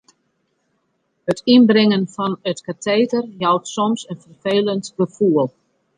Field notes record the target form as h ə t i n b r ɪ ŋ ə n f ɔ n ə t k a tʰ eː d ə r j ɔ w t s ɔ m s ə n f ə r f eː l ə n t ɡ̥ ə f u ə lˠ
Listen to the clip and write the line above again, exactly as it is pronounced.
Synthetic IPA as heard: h ə t i n b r ɪ ŋ ə n f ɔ n ə t k a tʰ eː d ə r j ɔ w t s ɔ m s ə n f ə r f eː l ə n t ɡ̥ ə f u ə lˠ